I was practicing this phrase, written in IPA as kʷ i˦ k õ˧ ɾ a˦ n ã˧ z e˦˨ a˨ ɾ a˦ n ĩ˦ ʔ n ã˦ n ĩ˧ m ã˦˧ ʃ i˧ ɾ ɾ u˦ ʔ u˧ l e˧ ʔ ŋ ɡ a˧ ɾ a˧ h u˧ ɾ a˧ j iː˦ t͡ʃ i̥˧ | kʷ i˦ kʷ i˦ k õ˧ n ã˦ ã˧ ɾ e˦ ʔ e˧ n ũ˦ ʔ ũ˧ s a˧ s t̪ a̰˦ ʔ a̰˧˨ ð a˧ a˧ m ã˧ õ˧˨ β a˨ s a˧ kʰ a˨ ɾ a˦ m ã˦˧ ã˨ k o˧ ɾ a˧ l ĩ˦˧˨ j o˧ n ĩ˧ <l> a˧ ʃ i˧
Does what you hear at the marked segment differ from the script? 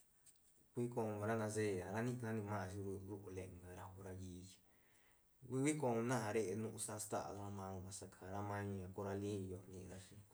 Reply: yes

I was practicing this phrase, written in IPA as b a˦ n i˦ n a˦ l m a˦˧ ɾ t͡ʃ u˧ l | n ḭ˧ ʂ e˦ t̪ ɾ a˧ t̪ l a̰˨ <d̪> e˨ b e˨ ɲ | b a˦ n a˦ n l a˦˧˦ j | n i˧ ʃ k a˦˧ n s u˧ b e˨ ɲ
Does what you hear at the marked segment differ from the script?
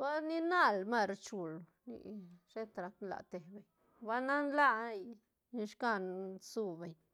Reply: yes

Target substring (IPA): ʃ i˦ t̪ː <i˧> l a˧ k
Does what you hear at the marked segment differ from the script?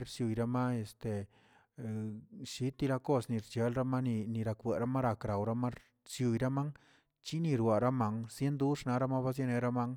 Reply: no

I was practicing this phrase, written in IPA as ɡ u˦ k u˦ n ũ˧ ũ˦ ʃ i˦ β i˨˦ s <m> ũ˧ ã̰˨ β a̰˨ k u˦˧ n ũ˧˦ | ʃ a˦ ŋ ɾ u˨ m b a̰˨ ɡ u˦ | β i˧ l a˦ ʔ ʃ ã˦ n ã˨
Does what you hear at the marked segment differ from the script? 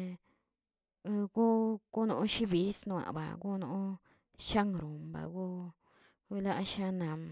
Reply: yes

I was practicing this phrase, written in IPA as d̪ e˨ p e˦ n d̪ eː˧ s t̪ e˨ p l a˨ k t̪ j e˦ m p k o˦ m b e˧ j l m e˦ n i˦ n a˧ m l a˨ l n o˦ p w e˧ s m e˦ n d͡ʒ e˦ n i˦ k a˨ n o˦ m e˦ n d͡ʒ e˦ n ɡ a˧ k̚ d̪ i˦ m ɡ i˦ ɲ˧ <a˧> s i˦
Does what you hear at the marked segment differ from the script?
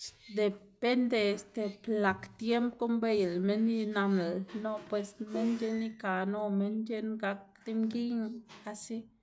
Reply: no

